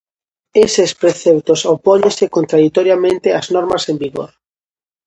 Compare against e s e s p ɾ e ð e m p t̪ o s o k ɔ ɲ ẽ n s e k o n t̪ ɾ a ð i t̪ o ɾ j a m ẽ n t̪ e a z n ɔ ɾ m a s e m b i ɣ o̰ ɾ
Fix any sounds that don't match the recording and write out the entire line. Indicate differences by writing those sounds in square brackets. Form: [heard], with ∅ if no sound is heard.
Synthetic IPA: e s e s p ɾ e [θ] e [∅] p t̪ o s o [p] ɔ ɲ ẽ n s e k o n t̪ ɾ a ð i t̪ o ɾ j a m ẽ n t̪ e a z n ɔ ɾ m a s e m b i ɣ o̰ ɾ